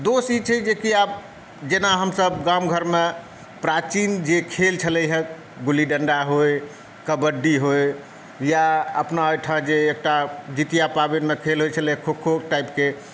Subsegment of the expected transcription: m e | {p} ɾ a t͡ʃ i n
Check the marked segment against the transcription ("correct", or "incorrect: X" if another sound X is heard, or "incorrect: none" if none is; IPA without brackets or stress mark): correct